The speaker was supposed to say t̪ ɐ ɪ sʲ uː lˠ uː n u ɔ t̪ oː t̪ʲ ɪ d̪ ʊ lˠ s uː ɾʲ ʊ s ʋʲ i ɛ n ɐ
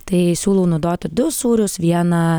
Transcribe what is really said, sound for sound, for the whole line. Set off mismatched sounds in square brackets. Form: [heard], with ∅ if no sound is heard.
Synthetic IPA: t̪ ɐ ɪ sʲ uː lˠ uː n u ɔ [d̪] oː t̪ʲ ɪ d̪ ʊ [∅] s uː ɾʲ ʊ s ʋʲ i ɛ n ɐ